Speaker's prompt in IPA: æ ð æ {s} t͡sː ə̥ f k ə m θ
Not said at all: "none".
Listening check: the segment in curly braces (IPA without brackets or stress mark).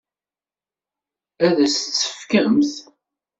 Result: s